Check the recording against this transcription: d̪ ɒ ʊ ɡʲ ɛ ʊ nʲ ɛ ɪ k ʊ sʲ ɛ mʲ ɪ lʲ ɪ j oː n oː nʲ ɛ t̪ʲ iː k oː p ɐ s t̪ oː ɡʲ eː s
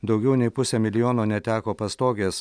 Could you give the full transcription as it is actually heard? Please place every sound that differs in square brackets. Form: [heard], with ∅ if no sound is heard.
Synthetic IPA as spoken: d̪ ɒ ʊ ɡʲ ɛ ʊ nʲ ɛ ɪ [p] ʊ sʲ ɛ mʲ ɪ lʲ ɪ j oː n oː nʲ ɛ t̪ʲ [æː] k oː p ɐ s t̪ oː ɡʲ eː s